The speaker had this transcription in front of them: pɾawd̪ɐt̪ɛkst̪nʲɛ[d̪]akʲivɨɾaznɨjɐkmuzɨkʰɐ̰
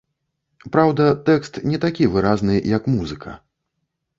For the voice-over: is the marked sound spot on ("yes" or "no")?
no